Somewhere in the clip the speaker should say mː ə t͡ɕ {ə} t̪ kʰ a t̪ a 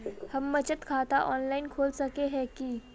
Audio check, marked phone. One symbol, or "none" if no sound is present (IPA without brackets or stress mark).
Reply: ə